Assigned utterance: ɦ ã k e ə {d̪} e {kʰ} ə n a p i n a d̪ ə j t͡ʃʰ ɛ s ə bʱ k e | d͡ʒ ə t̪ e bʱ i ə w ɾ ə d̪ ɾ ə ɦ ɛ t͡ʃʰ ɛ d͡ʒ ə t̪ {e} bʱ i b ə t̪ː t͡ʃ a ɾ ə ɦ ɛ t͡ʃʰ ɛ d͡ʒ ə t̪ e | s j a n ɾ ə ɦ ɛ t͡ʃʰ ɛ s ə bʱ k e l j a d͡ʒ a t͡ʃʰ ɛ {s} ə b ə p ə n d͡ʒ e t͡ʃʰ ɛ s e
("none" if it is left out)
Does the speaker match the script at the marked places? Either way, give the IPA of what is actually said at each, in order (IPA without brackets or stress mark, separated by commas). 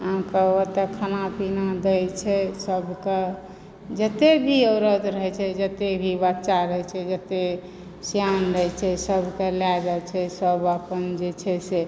t̪, kʰ, e, s